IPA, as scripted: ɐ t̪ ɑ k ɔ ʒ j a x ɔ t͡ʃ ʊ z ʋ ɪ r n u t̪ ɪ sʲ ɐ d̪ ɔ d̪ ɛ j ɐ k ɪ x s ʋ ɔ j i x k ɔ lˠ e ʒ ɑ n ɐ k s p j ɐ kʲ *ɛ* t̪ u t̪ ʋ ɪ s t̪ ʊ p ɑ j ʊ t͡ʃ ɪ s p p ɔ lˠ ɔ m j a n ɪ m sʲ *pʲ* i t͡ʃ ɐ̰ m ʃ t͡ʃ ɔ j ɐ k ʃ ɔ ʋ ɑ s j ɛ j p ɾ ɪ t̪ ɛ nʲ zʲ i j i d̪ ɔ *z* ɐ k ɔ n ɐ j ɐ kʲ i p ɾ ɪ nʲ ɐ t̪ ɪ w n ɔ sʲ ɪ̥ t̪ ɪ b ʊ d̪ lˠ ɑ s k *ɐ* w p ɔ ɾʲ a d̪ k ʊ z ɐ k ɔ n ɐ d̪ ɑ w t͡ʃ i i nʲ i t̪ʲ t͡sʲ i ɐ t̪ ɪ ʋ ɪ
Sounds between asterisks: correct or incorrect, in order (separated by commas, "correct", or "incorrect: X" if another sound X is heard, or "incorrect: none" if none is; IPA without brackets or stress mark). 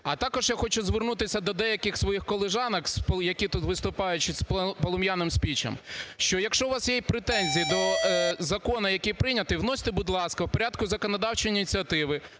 incorrect: i, correct, correct, correct